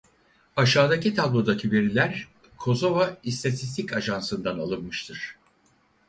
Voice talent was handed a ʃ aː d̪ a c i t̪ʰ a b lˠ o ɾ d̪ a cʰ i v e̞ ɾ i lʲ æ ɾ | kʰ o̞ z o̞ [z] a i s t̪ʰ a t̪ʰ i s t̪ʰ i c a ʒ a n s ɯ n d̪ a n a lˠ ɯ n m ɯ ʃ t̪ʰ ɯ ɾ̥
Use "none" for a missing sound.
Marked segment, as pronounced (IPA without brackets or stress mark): v